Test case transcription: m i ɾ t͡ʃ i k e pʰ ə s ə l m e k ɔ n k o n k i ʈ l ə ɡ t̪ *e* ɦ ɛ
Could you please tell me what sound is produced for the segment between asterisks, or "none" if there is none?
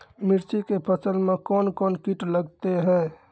e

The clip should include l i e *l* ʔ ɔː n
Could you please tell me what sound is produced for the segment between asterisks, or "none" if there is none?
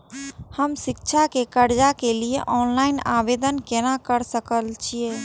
none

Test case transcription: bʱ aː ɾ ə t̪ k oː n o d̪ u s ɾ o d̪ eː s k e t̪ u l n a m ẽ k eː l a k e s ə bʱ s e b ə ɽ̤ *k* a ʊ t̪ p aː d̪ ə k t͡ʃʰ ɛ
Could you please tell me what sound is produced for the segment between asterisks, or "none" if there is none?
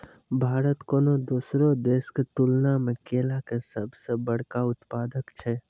k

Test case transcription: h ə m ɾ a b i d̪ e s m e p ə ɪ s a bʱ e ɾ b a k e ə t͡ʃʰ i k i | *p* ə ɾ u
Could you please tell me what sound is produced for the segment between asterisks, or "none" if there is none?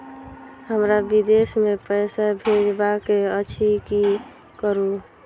k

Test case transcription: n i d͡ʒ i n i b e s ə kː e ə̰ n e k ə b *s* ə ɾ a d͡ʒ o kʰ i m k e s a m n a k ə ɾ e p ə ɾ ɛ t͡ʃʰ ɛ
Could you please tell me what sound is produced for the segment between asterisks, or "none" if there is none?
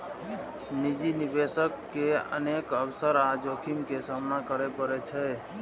s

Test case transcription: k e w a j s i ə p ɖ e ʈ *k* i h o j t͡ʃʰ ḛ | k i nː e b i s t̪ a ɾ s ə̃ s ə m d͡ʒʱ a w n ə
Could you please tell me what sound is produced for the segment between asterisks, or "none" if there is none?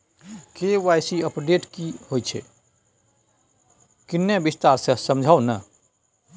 k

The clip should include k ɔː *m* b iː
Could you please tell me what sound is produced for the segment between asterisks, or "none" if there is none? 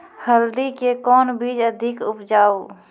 n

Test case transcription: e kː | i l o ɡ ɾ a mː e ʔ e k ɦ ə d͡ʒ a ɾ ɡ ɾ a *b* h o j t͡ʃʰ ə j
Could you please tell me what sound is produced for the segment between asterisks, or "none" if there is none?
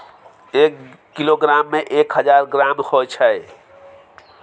m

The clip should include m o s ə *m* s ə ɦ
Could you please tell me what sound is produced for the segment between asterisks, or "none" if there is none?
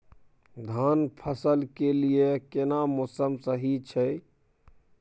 m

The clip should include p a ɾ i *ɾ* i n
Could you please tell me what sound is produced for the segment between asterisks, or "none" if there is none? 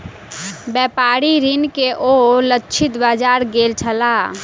ɾ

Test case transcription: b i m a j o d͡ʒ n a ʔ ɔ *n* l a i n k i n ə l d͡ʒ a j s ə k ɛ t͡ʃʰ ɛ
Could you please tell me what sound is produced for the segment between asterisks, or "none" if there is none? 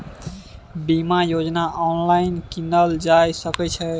n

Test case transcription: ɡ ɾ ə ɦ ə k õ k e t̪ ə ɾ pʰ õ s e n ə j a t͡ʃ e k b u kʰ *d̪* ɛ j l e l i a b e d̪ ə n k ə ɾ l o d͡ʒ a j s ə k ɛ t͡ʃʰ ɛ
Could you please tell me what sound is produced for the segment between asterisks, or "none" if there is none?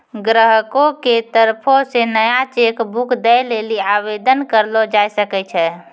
d̪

